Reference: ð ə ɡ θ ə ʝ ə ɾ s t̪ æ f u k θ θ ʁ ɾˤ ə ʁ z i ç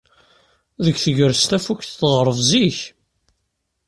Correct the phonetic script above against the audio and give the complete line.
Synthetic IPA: ð ə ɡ θ ə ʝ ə ɾ s t̪ æ f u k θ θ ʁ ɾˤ ə v z i ç

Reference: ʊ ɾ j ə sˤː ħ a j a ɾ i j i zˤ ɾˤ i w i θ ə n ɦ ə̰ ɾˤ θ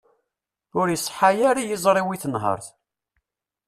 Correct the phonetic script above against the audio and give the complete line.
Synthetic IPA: ʊ ɾ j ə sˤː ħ a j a ɾ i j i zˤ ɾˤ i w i θ ə n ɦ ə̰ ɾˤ θ

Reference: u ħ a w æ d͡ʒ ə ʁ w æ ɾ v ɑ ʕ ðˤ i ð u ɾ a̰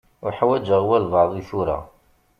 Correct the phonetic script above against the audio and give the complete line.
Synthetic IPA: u ħ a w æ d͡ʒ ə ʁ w æ l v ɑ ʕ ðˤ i θ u ɾ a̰

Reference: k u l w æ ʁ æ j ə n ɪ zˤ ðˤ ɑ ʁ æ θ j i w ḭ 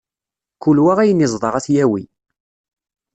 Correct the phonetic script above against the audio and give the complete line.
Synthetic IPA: k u l w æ ʁ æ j ə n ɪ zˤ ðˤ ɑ ʁ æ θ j æ w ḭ

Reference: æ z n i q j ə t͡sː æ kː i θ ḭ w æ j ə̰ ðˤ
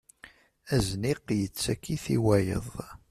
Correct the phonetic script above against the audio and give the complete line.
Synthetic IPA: æ z n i q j ə t͡sː æ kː i θ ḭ w æ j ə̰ ðˤ

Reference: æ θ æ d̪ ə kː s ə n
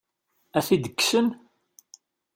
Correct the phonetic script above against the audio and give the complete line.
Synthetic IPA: æ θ i d̪ ə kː s ə n

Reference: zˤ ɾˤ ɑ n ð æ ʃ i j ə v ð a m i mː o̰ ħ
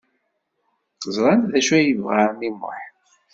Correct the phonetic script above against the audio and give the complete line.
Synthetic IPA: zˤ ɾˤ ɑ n ð æ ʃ æ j ə v ʁ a m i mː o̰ ħ

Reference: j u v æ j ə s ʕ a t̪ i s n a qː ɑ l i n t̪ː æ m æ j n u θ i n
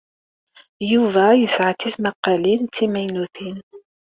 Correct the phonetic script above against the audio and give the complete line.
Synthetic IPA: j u v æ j ə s ʕ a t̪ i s m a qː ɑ l i n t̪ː i m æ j n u θ i n

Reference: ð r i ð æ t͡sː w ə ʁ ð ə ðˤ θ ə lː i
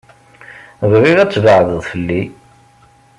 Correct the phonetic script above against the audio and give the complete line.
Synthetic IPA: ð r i ʁ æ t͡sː v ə ʕ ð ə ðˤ f ə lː i

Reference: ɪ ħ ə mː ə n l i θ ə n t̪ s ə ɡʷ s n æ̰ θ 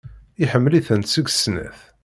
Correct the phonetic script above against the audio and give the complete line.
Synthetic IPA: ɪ ħ ə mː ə l i θ ə n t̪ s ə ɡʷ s n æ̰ θ

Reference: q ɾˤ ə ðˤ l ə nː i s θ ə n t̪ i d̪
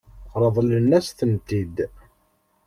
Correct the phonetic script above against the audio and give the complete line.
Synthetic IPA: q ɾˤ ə ðˤ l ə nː æ s θ ə n t̪ i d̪

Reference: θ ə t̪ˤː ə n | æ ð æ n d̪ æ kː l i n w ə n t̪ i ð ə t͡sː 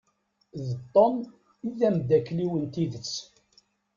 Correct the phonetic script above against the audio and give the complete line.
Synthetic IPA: ð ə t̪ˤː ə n | i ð æ m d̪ æ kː l i w ə n t̪ i ð ə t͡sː

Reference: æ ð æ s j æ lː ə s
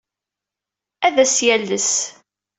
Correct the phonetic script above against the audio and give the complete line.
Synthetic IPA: æ ð æ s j æ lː ə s

